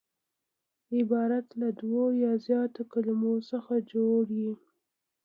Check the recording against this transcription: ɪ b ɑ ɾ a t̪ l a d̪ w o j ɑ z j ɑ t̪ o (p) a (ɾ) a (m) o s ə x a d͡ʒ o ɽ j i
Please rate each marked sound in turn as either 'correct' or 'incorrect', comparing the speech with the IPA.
incorrect: k, incorrect: l, correct

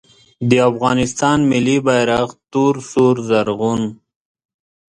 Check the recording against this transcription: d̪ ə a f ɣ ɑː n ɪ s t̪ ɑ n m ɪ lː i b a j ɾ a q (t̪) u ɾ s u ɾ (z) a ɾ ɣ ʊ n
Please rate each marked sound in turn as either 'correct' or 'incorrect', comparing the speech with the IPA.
correct, correct

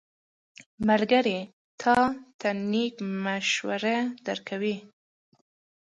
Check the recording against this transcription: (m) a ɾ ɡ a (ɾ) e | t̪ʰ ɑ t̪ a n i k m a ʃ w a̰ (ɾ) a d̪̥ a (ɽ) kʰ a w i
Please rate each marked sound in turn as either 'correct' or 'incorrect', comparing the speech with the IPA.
correct, correct, correct, incorrect: ɾ

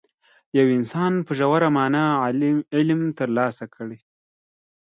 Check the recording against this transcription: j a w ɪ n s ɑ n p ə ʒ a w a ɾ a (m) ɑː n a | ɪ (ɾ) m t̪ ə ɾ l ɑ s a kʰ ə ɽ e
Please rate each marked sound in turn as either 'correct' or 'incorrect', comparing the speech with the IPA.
correct, incorrect: l

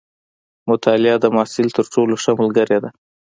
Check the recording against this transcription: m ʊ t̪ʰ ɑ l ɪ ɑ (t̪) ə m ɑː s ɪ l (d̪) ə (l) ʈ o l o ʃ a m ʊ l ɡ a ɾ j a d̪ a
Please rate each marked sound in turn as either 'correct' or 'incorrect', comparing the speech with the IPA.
incorrect: d̪, incorrect: t̪, incorrect: ɾ

